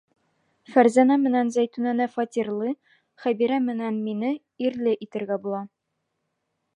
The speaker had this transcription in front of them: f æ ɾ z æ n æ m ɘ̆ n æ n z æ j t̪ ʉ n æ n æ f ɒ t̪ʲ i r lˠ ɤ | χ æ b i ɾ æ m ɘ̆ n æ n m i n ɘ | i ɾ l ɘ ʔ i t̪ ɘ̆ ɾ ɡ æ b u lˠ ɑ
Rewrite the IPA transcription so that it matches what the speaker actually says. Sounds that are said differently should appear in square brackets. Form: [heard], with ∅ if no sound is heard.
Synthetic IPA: f æ ɾ z æ n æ m ɘ̆ n æ n z æ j t̪ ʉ n æ n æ f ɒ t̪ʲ i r lˠ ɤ | χ æ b i ɾ æ m ɘ̆ n æ n m i n ɘ | i ɾ l ɘ ʔ i t̪ ɘ̆ ɾ ɡ æ b u lˠ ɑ